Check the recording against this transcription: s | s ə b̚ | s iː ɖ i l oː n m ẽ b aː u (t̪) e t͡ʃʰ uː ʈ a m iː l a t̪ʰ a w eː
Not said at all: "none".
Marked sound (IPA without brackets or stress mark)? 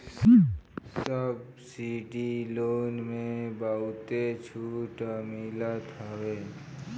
t̪